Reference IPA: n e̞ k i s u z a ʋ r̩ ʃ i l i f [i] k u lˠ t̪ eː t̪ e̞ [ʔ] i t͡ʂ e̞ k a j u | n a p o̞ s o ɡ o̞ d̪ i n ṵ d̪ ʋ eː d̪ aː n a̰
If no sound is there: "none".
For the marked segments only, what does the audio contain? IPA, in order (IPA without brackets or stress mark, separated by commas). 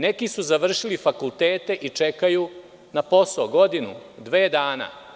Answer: a, ʔ